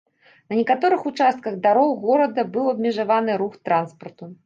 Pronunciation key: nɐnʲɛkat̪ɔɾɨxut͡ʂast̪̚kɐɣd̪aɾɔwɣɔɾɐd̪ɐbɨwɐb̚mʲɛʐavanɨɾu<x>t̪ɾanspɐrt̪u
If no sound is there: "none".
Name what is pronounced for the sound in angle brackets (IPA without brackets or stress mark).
x